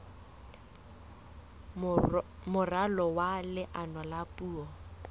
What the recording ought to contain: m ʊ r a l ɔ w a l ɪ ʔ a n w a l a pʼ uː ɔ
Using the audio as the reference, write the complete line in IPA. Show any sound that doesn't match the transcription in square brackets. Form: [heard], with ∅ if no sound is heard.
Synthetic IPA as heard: m ʊ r a l ɔ w a l ɪ ʔ a n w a l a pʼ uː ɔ